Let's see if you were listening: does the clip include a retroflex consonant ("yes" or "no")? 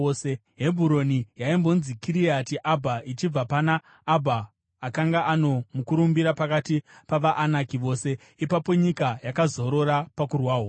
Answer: no